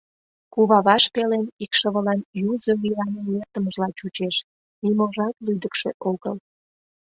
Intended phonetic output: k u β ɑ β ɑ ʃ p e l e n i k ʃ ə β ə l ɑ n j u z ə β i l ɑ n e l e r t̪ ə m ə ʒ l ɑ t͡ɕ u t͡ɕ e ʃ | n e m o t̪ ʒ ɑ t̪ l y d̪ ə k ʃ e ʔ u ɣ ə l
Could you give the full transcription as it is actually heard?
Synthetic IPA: k u β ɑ β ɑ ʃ p e l e n i k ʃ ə β ə l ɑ n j u z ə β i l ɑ n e l e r t̪ ə m ə ʒ l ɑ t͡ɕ u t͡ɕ e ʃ | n i m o ʒ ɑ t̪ l y d̪ ə k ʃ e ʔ o ɣ ə l